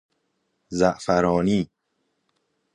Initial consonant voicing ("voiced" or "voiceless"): voiced